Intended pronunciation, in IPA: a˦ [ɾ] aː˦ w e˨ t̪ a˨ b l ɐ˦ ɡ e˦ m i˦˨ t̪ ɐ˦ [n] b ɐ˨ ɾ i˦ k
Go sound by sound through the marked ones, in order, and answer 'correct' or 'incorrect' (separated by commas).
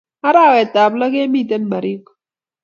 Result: correct, correct